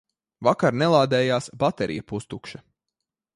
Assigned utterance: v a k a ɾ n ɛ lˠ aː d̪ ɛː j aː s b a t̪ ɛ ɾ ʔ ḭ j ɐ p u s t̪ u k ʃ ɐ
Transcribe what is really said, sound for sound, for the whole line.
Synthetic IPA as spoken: v a k a ɾ n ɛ lˠ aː d̪ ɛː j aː s b a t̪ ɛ ɾ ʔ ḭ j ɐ p u s t̪ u k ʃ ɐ